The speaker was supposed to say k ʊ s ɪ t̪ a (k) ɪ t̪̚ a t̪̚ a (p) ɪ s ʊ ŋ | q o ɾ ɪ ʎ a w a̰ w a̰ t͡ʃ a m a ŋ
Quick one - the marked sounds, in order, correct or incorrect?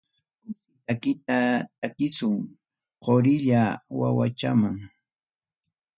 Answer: correct, incorrect

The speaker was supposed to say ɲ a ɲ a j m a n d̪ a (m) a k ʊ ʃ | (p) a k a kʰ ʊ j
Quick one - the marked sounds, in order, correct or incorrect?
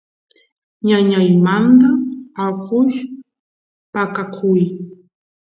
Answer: incorrect, correct

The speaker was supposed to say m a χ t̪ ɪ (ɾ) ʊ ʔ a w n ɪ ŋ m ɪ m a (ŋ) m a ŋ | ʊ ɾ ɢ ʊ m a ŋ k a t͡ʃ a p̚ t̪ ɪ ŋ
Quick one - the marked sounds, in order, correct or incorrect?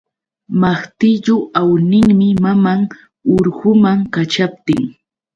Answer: incorrect, incorrect

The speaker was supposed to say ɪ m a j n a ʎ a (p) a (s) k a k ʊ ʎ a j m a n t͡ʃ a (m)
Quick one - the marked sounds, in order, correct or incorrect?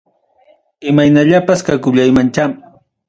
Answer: correct, correct, correct

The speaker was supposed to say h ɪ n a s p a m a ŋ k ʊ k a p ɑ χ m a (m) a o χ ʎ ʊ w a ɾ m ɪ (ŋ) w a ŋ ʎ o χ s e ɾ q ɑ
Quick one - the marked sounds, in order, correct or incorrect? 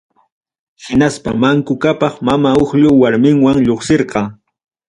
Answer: correct, correct

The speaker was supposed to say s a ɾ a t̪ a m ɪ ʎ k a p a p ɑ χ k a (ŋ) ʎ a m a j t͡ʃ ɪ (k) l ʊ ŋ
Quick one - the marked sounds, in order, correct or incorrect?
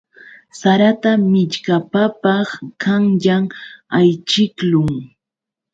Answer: correct, correct

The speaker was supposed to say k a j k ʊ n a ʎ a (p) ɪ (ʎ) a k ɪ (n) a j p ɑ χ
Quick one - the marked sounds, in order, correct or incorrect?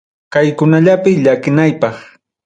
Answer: correct, correct, correct

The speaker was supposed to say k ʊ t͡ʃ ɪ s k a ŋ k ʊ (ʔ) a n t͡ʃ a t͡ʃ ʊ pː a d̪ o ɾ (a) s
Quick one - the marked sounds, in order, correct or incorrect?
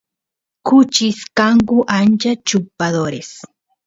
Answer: correct, incorrect

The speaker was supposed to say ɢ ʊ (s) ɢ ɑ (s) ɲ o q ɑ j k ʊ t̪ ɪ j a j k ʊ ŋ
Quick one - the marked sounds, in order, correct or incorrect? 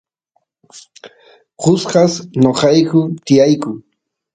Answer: correct, correct

